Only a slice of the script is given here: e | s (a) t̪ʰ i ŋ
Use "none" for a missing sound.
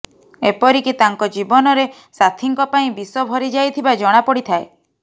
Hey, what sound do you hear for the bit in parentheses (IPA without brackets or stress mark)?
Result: a